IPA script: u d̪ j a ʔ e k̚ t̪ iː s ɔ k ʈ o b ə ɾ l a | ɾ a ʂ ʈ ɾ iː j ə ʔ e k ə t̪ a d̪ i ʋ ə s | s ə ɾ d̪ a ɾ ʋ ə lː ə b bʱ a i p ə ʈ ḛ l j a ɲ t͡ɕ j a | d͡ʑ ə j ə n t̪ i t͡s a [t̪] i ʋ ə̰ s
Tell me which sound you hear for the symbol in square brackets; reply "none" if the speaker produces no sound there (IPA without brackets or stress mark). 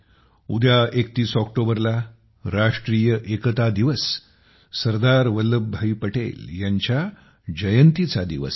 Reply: d̪